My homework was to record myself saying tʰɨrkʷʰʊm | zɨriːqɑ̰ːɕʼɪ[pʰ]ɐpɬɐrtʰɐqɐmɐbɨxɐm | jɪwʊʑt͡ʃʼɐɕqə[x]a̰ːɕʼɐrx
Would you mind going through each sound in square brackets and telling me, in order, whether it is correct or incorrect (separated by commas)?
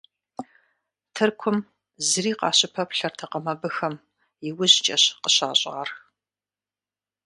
correct, incorrect